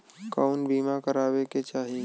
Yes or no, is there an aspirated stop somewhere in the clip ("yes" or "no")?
no